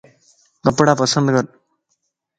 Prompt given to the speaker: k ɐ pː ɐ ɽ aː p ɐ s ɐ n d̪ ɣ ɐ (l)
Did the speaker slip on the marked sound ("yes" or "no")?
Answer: yes